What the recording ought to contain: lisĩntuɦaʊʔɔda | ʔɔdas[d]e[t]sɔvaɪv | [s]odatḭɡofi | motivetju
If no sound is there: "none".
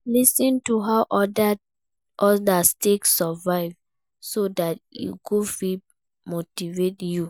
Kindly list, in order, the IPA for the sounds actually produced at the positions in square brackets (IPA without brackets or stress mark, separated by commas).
t, k, s